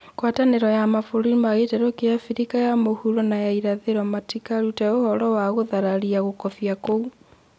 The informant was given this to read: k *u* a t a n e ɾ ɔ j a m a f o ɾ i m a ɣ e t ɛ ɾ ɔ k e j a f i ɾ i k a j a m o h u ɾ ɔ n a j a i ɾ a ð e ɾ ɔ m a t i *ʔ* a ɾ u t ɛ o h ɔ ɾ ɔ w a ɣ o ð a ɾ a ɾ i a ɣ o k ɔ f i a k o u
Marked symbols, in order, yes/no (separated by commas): no, no